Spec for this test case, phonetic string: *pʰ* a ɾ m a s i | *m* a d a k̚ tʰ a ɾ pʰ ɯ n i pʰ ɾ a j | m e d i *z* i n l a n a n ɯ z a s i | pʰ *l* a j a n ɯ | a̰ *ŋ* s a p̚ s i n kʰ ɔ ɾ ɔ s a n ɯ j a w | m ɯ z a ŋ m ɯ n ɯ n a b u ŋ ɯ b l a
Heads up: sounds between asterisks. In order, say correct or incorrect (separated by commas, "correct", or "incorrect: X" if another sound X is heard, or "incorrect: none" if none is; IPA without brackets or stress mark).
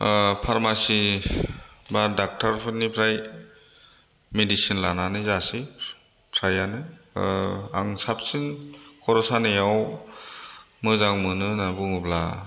correct, incorrect: b, incorrect: s, incorrect: ɾ, correct